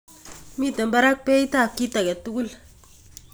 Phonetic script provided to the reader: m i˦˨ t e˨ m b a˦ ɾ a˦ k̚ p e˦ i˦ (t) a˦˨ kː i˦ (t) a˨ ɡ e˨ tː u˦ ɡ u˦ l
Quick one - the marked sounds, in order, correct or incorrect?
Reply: correct, correct

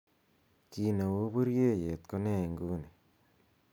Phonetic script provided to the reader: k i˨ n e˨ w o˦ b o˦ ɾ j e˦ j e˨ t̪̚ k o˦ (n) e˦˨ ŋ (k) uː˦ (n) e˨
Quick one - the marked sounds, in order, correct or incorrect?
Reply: correct, incorrect, correct

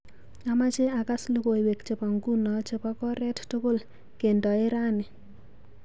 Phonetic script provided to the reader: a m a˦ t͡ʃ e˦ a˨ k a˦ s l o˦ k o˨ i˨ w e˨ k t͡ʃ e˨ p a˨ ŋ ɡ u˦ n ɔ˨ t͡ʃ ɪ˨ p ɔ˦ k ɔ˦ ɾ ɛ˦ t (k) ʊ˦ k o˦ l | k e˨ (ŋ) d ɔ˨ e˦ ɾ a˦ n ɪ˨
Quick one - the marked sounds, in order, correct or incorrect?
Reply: incorrect, incorrect

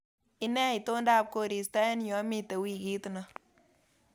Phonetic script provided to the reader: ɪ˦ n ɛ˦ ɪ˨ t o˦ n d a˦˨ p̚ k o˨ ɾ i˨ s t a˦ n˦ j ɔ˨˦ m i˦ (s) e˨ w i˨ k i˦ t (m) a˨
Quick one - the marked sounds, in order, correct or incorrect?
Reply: incorrect, incorrect

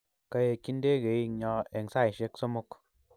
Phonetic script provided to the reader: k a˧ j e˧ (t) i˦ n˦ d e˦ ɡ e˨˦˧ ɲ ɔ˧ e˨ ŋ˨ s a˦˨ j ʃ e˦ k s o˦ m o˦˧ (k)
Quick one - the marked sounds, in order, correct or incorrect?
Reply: incorrect, correct

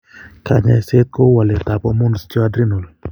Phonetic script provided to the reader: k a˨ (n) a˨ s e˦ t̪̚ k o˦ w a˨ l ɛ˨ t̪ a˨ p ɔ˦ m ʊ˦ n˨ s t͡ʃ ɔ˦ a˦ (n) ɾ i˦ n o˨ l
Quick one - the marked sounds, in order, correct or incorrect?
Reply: incorrect, incorrect

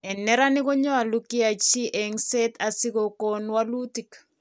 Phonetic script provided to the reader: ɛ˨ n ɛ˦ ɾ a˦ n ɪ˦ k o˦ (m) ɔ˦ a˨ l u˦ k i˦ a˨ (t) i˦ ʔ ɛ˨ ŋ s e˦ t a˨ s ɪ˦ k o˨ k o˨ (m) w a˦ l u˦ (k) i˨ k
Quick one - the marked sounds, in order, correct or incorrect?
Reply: incorrect, incorrect, incorrect, incorrect

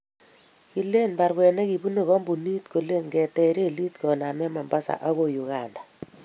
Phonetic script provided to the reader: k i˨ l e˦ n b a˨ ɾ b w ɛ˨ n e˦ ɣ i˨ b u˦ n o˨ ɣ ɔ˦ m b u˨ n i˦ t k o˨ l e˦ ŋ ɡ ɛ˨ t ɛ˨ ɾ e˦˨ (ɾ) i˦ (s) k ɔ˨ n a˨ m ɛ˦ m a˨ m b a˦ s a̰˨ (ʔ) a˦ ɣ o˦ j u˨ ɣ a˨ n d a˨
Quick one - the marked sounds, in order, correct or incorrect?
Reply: incorrect, incorrect, correct

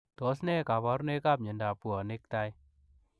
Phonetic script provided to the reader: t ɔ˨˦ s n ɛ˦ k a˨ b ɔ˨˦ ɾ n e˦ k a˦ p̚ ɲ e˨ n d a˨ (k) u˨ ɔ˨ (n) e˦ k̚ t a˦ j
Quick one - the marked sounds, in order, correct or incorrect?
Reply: incorrect, correct

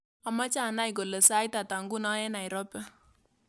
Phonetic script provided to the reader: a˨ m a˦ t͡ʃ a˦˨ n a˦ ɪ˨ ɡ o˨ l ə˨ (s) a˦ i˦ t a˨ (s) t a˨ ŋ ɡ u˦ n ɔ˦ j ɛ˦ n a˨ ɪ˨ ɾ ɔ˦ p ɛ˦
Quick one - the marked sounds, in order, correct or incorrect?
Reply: correct, incorrect

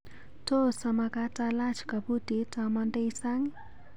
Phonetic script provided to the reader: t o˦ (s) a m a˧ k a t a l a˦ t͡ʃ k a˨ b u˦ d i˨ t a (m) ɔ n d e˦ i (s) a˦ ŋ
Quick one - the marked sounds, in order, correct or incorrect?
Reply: correct, correct, correct

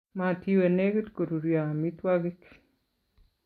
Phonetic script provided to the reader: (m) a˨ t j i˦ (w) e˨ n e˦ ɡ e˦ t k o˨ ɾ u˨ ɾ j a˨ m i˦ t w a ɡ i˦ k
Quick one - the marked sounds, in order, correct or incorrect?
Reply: correct, correct

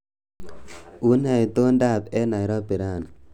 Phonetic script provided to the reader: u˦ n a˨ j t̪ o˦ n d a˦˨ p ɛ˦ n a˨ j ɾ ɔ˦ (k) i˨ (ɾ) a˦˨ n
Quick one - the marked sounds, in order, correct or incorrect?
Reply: incorrect, correct

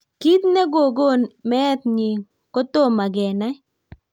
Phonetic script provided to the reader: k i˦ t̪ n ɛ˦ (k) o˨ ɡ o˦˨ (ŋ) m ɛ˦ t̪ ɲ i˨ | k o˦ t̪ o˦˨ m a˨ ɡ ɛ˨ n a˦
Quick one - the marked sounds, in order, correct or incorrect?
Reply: incorrect, incorrect

